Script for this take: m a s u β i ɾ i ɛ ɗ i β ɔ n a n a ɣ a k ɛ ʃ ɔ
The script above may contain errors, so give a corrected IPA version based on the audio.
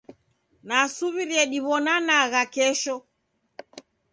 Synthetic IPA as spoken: n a s u β i ɾ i ɛ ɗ i β ɔ n a n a ɣ a k ɛ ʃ ɔ